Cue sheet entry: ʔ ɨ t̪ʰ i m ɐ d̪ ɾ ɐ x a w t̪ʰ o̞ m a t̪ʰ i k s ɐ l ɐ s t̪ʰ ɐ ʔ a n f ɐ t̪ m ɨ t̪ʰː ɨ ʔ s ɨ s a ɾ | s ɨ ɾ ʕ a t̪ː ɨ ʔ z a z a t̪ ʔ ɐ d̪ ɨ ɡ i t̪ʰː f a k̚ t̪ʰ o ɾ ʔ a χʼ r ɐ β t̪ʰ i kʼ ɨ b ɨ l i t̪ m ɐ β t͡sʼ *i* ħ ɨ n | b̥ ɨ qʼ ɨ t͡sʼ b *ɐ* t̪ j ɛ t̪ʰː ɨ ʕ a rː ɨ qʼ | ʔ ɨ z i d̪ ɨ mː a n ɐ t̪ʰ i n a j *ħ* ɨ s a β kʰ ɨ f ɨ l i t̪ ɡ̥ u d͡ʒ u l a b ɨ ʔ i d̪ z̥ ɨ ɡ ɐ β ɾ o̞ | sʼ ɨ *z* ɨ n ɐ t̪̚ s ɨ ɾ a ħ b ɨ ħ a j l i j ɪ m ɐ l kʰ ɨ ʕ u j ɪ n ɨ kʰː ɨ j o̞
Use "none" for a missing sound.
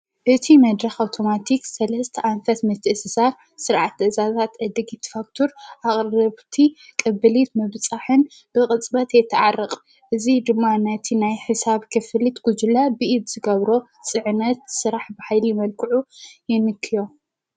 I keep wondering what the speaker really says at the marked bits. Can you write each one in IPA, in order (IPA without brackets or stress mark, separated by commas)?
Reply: a, ɐ, ħ, ʕ